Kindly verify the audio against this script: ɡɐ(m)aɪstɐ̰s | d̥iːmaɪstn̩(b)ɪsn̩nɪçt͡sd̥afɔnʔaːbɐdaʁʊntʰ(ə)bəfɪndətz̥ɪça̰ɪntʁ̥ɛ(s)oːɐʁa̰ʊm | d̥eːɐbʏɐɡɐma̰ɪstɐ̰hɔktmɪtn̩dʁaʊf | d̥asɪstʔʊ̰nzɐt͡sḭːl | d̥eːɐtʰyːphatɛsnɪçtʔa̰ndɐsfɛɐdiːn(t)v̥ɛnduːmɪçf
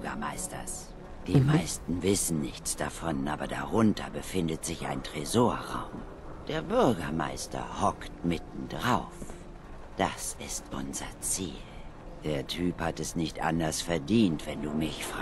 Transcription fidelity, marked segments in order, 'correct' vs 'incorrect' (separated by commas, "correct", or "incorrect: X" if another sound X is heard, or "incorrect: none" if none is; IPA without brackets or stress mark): correct, incorrect: v, incorrect: ɐ, incorrect: z, correct